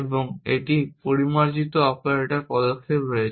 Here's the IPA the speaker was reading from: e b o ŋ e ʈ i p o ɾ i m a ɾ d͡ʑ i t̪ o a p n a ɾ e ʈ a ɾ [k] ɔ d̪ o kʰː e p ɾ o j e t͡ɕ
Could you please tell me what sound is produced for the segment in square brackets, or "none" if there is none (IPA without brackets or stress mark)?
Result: p